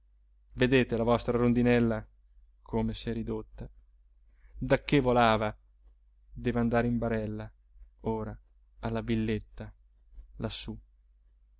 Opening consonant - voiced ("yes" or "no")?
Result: yes